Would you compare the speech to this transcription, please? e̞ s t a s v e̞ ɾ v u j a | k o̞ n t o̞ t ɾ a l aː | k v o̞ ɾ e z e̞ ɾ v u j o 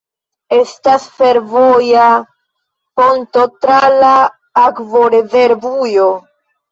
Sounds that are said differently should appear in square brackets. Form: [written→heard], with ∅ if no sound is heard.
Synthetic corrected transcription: e̞ s t a s [v→f] e̞ ɾ v [u→o] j a | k o̞ n t o̞ t ɾ a l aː | k v o̞ ɾ e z e̞ ɾ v u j o